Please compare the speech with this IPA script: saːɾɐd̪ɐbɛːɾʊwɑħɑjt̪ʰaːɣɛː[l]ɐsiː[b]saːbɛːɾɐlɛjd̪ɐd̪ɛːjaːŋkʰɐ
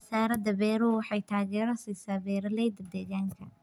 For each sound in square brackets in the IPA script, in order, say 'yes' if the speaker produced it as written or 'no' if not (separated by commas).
no, no